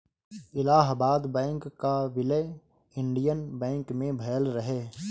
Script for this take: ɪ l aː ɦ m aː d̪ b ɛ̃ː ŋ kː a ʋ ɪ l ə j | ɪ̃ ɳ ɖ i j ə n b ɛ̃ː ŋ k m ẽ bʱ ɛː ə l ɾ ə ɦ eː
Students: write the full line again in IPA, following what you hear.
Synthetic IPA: ɪ l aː ɦ b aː d̪ b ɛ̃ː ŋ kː a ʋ ɪ l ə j | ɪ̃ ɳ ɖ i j ə n b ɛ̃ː ŋ k m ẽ bʱ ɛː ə l ɾ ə ɦ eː